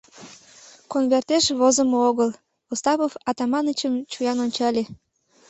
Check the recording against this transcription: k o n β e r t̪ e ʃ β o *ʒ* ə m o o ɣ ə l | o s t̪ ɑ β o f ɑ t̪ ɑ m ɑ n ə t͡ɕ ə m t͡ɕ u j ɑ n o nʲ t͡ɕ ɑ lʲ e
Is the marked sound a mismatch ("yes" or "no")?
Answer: yes